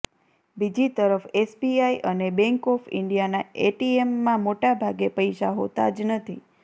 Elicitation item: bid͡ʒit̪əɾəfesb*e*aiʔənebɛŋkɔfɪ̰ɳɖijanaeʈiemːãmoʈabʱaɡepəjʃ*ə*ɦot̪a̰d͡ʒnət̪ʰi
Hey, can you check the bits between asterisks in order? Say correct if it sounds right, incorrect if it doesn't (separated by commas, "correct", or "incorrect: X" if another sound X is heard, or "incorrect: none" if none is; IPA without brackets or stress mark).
incorrect: i, incorrect: a